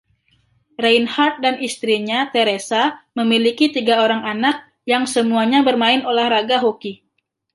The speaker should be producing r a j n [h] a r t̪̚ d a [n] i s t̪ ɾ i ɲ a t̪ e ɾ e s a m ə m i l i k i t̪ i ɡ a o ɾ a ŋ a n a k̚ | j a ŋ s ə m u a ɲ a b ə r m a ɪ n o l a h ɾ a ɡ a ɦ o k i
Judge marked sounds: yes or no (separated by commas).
yes, yes